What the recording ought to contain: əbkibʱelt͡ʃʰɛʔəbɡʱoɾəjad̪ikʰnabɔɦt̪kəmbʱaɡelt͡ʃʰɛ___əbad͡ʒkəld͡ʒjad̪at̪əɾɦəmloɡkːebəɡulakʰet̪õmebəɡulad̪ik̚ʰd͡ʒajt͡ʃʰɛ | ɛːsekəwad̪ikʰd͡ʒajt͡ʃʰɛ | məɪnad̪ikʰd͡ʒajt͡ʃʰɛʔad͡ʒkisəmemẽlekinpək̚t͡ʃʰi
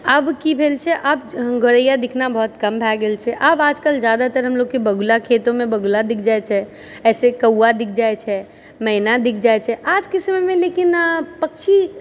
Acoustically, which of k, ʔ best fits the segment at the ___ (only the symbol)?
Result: ʔ